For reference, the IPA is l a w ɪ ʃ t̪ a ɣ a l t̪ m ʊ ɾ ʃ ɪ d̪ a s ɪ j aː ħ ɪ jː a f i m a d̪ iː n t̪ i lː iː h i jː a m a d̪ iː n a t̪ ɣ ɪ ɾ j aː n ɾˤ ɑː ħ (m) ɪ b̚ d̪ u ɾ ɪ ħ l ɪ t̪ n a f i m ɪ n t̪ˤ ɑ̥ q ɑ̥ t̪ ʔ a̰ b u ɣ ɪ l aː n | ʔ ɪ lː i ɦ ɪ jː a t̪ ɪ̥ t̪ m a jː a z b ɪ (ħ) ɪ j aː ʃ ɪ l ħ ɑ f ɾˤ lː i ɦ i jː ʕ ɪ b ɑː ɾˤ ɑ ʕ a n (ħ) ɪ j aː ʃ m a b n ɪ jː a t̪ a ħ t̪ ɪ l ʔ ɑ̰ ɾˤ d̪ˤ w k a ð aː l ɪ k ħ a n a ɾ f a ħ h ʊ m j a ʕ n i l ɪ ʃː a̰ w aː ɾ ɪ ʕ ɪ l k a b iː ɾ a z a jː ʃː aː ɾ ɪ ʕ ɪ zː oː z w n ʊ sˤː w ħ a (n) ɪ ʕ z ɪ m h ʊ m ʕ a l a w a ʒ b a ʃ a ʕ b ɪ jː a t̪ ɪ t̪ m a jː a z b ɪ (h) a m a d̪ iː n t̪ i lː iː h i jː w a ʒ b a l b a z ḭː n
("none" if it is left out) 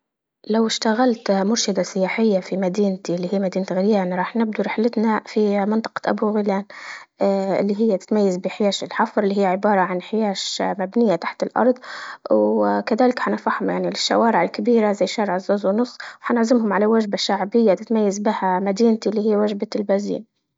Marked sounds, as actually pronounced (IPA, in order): n, ħ, ħ, n, h

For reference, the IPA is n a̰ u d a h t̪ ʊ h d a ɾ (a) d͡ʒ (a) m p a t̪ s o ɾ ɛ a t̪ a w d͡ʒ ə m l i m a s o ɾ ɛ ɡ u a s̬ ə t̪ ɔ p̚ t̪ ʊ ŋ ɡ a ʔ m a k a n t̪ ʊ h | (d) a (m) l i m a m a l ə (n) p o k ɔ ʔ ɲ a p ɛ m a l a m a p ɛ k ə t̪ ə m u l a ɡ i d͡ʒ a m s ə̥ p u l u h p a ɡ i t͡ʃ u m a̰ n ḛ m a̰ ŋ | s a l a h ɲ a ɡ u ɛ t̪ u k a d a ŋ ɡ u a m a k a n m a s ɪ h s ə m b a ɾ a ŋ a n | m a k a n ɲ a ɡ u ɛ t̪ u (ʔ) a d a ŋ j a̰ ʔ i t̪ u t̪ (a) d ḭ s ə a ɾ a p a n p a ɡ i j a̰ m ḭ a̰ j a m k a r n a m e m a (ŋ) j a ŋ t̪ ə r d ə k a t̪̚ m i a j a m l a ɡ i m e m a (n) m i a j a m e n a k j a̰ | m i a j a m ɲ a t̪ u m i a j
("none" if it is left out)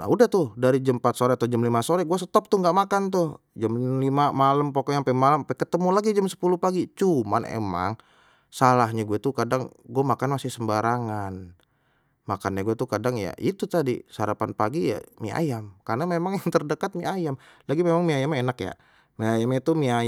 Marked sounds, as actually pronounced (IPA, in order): i, ə, d͡ʒ, m, m, k, a, ŋ, ŋ

